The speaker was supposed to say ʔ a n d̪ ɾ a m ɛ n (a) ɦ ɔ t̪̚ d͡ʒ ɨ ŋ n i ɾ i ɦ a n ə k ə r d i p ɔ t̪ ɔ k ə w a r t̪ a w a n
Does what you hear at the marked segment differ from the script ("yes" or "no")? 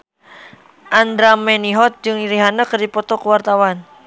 yes